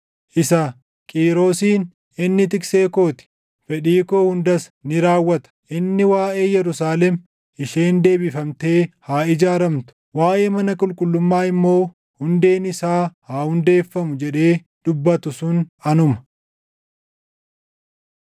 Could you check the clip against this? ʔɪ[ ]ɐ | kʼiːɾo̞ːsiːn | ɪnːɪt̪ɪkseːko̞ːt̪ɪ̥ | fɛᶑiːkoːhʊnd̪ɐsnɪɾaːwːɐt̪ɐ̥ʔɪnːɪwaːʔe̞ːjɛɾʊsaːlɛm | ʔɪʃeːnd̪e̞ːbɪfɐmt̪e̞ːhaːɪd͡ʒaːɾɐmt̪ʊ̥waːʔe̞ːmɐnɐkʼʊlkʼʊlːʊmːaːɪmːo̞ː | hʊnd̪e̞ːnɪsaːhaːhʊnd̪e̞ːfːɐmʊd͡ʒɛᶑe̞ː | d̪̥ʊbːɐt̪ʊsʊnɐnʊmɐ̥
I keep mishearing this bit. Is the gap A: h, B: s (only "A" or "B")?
B